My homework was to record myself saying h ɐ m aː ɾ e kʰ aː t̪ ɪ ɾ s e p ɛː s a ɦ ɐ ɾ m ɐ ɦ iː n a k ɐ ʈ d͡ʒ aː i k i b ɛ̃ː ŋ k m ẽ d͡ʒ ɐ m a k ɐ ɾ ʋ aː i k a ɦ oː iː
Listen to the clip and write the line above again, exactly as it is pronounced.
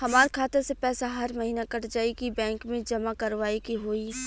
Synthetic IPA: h ɐ m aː ɾ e kʰ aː t̪ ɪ ɾ s e p ɛː s a ɦ ɐ ɾ m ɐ ɦ iː n a k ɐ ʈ d͡ʒ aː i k i b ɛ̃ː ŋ k m ẽ d͡ʒ ɐ m a k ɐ ɾ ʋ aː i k i ɦ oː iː